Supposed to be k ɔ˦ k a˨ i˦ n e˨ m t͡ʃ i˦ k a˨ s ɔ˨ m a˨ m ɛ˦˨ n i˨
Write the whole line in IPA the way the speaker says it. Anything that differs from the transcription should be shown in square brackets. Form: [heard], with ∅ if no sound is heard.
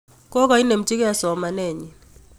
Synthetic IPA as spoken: k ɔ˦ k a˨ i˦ n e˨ m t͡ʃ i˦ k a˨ s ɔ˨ m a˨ [n] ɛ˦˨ [ɲ] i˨